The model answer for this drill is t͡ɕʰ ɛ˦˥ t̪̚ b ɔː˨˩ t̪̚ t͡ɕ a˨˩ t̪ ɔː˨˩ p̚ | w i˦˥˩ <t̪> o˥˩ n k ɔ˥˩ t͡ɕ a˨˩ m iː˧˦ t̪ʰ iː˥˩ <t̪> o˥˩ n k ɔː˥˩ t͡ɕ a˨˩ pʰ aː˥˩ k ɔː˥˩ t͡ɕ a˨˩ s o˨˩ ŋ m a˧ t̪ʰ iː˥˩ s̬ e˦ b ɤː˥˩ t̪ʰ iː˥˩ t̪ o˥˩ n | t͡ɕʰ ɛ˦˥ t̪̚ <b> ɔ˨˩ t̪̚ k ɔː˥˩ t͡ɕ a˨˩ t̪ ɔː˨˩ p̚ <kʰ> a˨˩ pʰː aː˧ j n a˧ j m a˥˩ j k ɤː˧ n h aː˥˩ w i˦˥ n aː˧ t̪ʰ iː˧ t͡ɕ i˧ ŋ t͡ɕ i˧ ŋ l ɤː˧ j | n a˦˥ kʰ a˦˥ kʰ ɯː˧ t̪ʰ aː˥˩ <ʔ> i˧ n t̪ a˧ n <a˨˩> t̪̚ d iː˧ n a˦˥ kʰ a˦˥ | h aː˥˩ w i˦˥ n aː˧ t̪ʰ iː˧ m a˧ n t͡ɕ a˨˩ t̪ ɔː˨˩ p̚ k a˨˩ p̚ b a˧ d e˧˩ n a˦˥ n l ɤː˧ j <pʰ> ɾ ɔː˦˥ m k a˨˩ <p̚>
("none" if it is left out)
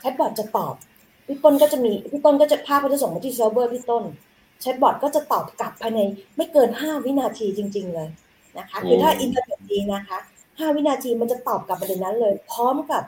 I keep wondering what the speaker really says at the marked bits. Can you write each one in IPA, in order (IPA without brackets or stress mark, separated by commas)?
t̪, t̪, b, k, ʔ, e˨˩, pʰ, p̚